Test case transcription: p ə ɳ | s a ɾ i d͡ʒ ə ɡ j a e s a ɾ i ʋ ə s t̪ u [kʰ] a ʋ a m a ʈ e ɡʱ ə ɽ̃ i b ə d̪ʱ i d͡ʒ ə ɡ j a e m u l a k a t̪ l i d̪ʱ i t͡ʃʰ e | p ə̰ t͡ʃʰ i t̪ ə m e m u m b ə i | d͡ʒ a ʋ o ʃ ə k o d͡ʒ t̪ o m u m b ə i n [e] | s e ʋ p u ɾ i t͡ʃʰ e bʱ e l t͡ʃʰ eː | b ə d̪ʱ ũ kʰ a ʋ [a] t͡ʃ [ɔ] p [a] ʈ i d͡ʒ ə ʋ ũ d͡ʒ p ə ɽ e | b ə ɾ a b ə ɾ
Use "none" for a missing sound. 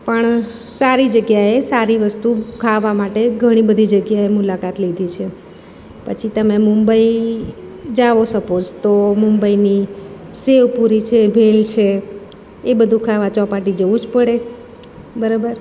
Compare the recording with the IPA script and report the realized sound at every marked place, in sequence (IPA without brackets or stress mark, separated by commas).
kʰ, i, a, ɔ, a